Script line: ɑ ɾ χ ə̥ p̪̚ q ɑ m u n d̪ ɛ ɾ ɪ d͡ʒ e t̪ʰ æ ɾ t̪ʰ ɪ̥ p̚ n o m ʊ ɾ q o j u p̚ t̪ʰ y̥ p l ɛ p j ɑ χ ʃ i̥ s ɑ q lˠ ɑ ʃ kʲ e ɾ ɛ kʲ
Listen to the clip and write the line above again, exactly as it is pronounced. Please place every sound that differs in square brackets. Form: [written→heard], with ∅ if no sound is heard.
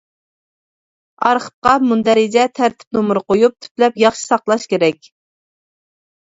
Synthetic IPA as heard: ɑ ɾ χ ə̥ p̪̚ q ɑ m u n d̪ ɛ ɾ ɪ d͡ʒ [e→ɛ] t̪ʰ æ ɾ t̪ʰ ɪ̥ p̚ n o m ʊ ɾ q o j u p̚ t̪ʰ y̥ p l ɛ p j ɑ χ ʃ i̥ s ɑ q lˠ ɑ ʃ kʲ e ɾ ɛ kʲ